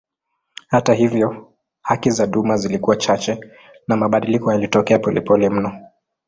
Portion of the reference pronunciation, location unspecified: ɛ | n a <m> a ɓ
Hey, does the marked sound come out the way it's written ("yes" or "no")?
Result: yes